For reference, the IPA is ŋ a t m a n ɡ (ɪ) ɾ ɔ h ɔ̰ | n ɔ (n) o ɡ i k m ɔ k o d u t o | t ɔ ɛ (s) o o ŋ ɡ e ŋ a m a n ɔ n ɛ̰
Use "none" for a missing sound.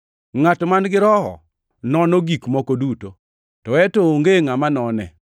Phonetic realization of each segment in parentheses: ɪ, n, t

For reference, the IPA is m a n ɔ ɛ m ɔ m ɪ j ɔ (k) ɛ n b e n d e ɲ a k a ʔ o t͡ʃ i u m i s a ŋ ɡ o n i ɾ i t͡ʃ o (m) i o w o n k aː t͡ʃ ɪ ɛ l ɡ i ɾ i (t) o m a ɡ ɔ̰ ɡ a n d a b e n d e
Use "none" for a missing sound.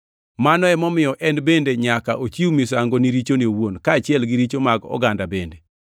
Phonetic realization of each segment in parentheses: ʔ, n, t͡ʃ

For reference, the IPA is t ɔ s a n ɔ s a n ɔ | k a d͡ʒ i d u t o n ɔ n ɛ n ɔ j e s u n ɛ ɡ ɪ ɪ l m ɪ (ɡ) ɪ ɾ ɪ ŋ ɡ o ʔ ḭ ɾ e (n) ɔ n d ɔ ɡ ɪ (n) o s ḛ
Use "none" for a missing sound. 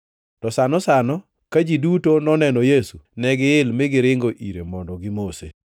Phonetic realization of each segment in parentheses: ɡ, m, m

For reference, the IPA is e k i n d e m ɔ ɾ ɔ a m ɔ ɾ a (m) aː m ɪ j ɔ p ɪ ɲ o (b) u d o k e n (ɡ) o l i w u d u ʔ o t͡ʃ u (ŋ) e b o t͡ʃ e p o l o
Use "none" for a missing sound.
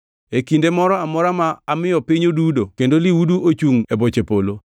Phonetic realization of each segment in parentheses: m, d, d, ŋ

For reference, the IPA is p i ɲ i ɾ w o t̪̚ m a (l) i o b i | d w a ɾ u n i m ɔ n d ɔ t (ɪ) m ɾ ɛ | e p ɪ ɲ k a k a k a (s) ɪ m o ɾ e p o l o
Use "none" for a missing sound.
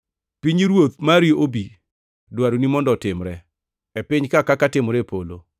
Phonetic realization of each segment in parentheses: ɾ, ɪ, t

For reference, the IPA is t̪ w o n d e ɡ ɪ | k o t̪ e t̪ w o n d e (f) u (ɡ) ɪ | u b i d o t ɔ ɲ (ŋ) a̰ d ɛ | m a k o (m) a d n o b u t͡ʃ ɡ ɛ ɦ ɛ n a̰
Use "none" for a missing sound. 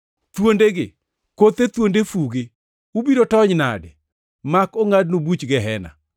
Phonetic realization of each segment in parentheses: f, ɡ, n, ŋ

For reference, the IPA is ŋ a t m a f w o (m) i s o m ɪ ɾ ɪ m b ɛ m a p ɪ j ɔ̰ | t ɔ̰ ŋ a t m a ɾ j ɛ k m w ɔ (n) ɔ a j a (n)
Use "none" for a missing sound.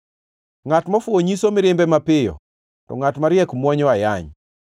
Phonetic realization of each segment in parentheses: ɲ, ɲ, ɲ

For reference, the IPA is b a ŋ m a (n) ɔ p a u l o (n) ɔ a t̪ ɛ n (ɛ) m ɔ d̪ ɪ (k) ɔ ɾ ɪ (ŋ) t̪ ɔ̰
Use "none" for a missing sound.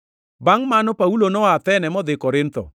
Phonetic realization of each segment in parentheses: n, n, ɛ, k, n

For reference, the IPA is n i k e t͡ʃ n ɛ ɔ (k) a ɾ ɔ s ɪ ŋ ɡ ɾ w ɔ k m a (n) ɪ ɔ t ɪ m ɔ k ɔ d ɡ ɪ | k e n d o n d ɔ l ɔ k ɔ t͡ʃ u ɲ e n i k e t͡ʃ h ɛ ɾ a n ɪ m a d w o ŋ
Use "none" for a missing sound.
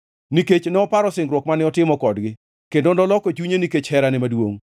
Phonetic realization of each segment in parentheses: p, n

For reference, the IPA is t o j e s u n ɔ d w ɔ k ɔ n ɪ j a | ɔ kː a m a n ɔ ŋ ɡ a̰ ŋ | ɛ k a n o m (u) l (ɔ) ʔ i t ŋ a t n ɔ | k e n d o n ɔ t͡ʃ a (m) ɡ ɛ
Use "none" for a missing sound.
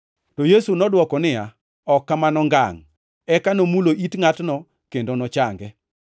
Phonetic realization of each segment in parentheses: u, o, ŋ

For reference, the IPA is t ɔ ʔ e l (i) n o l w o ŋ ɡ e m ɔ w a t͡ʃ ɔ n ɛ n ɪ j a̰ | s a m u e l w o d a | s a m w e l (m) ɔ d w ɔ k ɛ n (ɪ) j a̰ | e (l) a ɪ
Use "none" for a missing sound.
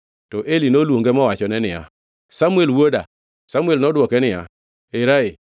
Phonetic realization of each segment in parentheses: i, n, ɪ, ɾ

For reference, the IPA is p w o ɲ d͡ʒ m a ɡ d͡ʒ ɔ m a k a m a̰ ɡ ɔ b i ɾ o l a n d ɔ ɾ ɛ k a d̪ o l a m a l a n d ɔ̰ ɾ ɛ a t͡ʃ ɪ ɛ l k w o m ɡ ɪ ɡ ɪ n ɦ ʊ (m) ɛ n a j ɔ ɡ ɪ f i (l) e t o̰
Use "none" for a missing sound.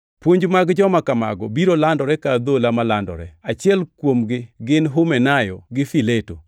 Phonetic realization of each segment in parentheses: m, l

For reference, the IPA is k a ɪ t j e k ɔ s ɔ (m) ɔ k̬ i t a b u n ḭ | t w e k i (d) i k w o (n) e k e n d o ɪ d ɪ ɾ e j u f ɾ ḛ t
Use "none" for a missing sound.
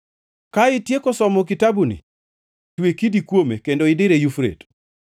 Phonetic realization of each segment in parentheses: m, d, m

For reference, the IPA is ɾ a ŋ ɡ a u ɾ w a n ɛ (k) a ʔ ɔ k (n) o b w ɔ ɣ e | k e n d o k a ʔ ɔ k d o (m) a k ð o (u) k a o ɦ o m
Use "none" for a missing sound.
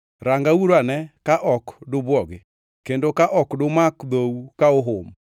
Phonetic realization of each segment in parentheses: k, d, m, u

